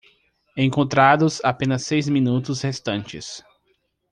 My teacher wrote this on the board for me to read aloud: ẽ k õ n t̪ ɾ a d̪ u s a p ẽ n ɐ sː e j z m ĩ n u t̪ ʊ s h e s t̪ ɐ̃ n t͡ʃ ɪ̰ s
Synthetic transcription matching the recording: ẽ k õ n t̪ ɾ a d̪ ʊ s a p ẽ n ɐ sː e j z m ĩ n u t̪ ʊ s h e s t̪ ɐ̃ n t͡ʃ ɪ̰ s